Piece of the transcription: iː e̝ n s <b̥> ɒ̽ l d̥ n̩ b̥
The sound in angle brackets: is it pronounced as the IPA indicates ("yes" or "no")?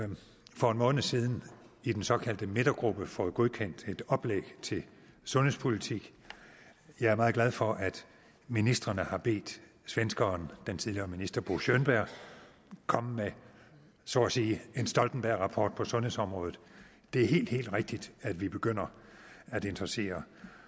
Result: no